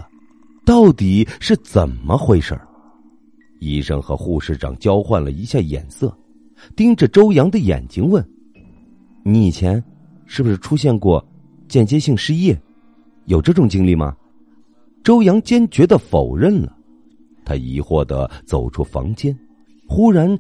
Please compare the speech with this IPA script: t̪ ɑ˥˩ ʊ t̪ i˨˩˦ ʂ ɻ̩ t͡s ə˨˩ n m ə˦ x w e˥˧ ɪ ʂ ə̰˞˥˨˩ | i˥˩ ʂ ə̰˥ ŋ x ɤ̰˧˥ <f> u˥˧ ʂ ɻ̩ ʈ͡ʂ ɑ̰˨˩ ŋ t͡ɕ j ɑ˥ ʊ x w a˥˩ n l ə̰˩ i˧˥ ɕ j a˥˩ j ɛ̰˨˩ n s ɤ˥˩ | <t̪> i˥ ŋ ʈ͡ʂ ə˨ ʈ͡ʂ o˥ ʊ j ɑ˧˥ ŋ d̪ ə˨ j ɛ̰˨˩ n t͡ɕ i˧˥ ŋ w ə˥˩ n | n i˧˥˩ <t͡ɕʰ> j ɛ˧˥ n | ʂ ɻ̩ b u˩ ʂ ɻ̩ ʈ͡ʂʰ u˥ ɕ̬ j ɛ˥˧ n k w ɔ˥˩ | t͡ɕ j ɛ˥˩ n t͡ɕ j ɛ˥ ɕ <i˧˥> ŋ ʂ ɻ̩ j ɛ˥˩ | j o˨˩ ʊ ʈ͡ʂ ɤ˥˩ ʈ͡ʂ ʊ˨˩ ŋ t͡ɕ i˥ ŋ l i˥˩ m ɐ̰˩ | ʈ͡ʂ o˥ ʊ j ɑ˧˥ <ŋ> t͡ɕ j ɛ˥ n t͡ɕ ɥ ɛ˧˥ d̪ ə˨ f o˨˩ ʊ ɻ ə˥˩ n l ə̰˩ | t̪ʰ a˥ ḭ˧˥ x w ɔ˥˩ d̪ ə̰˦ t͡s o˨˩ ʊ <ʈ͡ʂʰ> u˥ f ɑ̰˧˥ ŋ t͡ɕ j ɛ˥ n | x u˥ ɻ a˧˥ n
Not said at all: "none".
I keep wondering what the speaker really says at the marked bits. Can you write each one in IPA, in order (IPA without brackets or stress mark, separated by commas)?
x, t̪, t͡ɕʰ, i˥˧, ŋ, ʈ͡ʂʰ